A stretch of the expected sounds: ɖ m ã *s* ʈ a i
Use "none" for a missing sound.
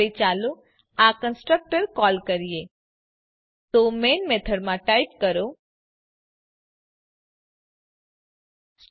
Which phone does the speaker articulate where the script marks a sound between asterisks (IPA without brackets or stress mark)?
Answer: none